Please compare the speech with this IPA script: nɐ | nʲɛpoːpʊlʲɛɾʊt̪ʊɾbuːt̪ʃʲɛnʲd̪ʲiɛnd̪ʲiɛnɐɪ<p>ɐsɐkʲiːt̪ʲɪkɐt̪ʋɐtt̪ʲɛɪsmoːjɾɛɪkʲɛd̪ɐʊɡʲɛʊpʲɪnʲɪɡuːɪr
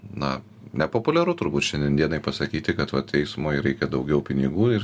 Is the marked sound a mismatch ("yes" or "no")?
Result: no